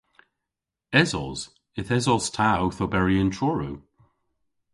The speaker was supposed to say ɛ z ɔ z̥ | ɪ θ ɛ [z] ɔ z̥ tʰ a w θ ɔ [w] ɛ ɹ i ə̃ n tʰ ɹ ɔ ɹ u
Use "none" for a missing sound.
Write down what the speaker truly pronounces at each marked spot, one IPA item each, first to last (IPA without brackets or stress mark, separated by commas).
z, b